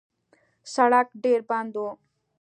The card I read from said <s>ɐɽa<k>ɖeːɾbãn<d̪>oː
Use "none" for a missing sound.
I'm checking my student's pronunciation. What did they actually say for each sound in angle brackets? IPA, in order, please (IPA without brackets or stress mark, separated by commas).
s, k, d̪